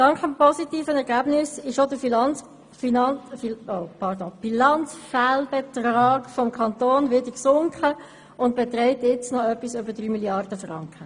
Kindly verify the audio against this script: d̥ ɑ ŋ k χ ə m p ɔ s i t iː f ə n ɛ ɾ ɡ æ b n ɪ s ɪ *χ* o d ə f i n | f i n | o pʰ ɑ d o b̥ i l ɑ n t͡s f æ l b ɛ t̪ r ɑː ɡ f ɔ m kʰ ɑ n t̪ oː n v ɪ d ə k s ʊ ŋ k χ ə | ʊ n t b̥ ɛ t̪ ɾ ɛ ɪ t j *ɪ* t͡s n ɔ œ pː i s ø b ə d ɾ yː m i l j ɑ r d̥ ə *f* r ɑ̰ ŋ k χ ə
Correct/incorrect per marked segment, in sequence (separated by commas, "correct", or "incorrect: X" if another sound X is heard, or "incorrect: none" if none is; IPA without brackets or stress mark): incorrect: ʃ, correct, correct